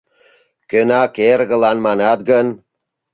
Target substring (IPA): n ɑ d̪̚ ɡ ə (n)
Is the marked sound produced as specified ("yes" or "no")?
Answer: yes